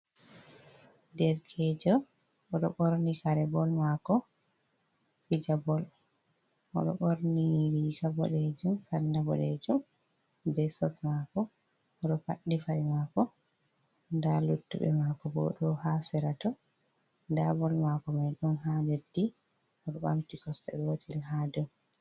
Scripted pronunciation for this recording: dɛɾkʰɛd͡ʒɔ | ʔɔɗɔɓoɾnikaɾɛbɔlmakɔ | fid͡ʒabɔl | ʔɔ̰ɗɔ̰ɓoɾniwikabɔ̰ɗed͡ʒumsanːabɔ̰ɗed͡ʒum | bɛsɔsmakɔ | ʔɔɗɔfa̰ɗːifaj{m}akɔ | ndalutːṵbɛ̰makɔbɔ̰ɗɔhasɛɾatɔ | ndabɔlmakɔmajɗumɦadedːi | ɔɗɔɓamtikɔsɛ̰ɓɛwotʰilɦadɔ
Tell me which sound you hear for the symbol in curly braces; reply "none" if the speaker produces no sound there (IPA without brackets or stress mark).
m